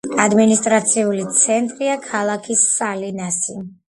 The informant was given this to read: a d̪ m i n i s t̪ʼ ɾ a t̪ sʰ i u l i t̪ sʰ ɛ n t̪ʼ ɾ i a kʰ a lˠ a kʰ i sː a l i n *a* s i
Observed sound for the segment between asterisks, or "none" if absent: a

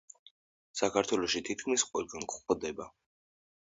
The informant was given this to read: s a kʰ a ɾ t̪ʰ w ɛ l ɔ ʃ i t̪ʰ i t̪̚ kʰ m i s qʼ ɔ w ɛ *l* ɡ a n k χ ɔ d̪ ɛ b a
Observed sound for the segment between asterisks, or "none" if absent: l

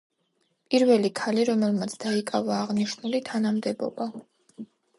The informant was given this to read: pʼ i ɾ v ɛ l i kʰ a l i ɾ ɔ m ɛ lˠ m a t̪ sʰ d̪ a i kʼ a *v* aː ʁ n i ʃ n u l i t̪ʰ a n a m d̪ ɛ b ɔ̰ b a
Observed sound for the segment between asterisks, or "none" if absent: v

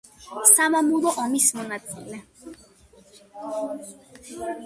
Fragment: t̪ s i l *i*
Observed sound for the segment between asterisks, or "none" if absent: ɛ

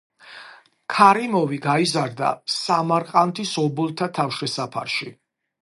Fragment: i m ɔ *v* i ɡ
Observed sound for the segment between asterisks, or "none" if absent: v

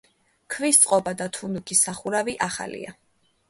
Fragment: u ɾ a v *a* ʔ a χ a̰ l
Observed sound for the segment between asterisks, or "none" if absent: i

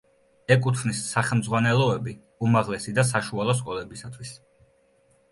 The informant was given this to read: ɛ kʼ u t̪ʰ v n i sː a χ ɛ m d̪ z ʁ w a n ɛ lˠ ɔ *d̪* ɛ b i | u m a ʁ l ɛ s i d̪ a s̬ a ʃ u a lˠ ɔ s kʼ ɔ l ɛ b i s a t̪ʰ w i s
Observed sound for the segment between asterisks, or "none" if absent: none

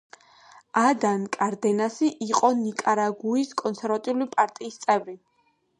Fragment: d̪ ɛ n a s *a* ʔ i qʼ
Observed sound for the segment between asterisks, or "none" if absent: i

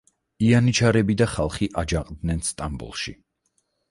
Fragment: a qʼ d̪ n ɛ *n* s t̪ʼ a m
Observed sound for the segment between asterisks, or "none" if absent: n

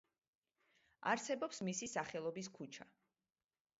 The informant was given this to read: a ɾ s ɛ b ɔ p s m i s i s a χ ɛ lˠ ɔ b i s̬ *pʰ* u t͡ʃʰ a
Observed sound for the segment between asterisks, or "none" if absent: kʰ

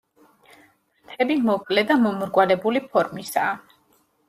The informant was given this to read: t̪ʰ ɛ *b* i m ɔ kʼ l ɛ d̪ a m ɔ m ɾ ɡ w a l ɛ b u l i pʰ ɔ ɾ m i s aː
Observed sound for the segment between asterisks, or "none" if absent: b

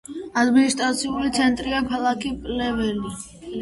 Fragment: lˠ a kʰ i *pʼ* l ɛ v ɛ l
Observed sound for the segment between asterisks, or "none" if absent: pʼ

